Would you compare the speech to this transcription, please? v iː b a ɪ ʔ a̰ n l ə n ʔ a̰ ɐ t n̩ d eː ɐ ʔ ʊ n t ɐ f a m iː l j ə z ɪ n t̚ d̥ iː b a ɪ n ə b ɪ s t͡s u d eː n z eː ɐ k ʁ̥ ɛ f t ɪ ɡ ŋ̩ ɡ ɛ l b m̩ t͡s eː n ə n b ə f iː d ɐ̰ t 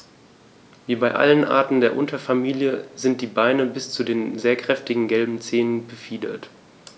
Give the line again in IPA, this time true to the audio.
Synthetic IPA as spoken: v iː b a ɪ ʔ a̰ l ə n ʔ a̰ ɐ t n̩ d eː ɐ ʔ ʊ n t ɐ f a m iː l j ə z ɪ n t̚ d̥ iː b a ɪ n ə b ɪ s t͡s u d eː n z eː ɐ k ʁ̥ ɛ f t ɪ ɡ ŋ̩ ɡ ɛ l b m̩ t͡s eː n ə n b ə f iː d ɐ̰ t